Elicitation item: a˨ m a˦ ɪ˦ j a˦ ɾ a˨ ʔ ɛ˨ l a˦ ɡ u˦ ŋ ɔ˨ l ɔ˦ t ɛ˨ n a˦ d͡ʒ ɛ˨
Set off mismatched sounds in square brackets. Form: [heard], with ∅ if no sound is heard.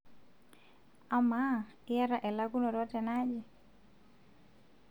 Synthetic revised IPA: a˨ m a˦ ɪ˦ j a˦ ɾ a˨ ʔ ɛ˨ l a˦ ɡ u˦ [n] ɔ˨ [ɾ] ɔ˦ t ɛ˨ n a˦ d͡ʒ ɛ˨

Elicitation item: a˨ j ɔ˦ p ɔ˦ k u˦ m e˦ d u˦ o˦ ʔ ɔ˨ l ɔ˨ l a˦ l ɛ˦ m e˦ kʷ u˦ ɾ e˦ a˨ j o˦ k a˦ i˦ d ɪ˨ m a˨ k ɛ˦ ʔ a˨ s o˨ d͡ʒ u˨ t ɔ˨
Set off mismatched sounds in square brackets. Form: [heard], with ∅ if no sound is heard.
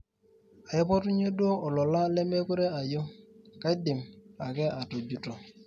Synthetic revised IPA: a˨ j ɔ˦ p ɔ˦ [t] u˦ [ɲ] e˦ d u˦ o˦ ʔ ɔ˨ l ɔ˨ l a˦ l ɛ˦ m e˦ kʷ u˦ ɾ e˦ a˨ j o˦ k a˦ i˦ d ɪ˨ m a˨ k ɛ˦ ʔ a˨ [t] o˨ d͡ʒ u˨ t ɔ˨

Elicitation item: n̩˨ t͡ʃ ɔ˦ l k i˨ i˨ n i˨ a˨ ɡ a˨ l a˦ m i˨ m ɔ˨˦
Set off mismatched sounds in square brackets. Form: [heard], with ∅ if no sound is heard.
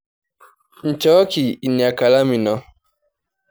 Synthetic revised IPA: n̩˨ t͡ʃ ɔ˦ [∅] k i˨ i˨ n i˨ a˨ [k] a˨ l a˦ m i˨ [n] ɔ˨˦

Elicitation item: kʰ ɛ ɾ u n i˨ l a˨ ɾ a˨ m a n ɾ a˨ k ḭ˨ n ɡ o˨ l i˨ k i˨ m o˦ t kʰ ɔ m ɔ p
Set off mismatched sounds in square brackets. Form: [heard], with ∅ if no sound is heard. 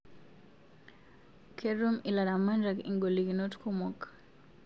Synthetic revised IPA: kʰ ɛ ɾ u [m] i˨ l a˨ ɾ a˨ m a n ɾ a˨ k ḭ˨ [ŋ] ɡ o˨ l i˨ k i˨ [n] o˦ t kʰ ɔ m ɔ [k]

